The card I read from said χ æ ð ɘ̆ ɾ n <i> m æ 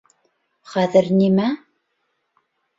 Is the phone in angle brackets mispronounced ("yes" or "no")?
no